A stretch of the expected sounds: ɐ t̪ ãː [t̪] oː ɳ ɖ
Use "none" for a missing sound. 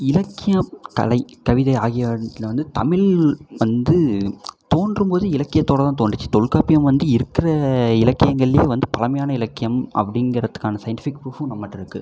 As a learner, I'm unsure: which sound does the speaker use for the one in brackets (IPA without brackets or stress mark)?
t̪